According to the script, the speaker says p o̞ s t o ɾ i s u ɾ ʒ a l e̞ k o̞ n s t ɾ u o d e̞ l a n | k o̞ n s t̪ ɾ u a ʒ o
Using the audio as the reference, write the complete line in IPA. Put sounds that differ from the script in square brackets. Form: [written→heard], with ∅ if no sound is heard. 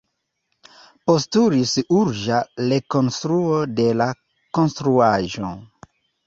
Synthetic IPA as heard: p o̞ s t [o→u] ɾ i s u ɾ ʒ a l e̞ k o̞ n s t ɾ u o d e̞ l a [n→∅] | k o̞ n s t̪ ɾ u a ʒ o